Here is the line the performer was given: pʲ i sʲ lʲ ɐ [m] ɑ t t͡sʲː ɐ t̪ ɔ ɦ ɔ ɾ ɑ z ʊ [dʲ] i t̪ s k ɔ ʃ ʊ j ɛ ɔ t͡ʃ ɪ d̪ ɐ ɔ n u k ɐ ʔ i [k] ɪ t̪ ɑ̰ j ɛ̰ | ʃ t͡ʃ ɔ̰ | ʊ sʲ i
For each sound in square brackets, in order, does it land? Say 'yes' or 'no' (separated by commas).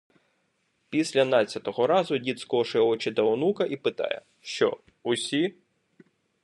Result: no, yes, no